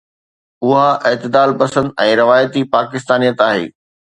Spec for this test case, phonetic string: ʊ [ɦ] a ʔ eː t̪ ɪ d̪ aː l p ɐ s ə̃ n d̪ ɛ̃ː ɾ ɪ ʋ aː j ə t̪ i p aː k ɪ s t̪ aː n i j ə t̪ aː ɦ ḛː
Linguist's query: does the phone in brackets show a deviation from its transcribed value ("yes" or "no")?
no